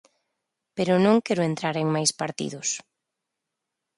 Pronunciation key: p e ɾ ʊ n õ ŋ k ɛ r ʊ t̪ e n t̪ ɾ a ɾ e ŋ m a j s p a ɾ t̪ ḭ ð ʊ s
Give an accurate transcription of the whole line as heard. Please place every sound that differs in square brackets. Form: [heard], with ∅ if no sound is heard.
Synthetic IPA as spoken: p e ɾ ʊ n õ ŋ k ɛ [ɾ] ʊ [∅] e n t̪ ɾ a ɾ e ŋ m a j s p a ɾ t̪ ḭ ð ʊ s